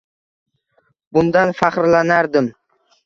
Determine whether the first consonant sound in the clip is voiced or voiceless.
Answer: voiced